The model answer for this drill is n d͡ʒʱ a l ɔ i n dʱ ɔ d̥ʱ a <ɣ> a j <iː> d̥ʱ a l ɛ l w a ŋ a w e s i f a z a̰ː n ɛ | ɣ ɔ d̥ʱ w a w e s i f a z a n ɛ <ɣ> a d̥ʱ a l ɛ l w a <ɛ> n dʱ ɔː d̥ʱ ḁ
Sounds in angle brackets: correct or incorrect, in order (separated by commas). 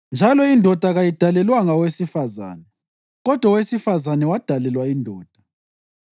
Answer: correct, incorrect, incorrect, incorrect